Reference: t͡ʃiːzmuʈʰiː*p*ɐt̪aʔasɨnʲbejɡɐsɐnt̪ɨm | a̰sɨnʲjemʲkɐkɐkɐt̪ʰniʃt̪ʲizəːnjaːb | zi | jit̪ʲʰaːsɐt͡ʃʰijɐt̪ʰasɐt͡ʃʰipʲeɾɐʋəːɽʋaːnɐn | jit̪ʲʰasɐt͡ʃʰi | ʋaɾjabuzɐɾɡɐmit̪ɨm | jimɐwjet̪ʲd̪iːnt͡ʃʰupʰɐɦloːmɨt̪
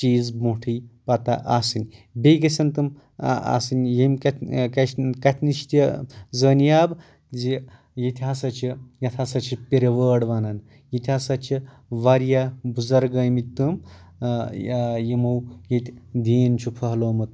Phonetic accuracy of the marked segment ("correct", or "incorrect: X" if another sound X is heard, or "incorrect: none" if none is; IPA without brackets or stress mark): correct